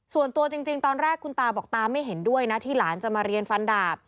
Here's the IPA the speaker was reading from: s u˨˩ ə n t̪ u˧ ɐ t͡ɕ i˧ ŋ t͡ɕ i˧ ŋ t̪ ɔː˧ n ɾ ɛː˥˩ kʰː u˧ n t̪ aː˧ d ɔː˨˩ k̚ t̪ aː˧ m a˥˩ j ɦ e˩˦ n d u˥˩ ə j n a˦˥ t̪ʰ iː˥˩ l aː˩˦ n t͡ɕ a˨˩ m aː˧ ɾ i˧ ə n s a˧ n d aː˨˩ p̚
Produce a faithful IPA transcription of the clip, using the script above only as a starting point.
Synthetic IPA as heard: s u˨˩ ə n t̪ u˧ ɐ t͡ɕ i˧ ŋ t͡ɕ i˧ ŋ t̪ ɔː˧ n ɾ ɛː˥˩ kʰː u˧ n t̪ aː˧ b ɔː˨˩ k̚ t̪ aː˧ m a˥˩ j ɦ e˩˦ n d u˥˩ ə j n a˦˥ t̪ʰ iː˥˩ l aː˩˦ n t͡ɕ a˨˩ m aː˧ ɾ i˧ ə n f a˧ n d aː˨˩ p̚